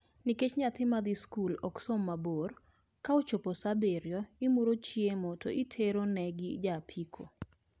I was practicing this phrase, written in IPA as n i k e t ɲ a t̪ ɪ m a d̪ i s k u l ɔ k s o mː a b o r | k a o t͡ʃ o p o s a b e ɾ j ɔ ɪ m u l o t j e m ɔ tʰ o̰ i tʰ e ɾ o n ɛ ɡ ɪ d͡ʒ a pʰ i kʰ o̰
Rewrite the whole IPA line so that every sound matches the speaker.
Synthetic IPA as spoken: n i k e t͡ʃ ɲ a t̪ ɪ m a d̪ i s k u l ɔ k s o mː a b o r | k a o t͡ʃ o p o s a b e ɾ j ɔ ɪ m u ɾ o t͡ʃ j e m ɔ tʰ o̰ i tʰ e ɾ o n ɛ ɡ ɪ d͡ʒ a pʰ i kʰ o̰